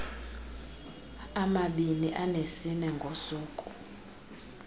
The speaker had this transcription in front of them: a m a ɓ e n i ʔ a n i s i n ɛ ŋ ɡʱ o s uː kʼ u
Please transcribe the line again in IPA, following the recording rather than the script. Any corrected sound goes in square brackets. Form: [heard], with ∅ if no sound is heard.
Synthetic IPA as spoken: a m a ɓ [i] n i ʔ a n [e] s i n ɛ ŋ ɡʱ o s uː kʼ u